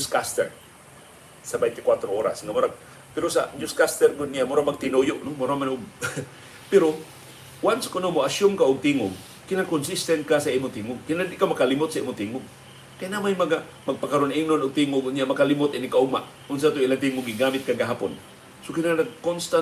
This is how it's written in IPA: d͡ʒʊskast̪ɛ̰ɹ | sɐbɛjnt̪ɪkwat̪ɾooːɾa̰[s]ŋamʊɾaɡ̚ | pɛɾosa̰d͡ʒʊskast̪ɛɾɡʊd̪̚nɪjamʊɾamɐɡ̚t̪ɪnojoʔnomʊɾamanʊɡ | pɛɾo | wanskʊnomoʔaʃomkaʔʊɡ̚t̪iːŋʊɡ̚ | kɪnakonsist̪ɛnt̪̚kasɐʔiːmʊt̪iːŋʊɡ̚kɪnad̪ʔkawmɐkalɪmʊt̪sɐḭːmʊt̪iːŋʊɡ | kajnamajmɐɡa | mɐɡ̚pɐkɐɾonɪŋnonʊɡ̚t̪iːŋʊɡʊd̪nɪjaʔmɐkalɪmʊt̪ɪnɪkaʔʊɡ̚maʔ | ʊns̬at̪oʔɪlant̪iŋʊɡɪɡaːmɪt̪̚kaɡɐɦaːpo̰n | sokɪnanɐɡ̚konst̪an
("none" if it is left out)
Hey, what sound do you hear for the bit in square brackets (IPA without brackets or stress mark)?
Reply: s